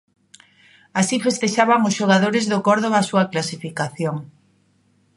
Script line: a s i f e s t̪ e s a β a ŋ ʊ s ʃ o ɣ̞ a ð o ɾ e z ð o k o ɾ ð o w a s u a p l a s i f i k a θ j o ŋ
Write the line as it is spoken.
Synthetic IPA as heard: a s i f e s t̪ e ʃ a β a ŋ ʊ s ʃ o ɣ̞ a ð o ɾ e z ð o k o ɾ ð o β a s u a k l a s i f i k a θ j o ŋ